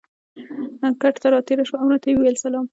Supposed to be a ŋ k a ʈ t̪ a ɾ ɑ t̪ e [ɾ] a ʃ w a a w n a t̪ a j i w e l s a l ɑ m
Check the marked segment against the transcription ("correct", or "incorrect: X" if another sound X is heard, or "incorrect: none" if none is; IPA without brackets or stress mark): correct